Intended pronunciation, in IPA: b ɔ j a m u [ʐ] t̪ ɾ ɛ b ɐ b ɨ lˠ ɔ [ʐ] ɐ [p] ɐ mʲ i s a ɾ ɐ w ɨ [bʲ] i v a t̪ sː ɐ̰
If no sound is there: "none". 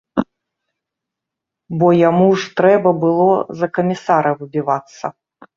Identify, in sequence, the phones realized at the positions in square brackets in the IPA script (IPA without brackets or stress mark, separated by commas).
ʐ, z, k, bʲ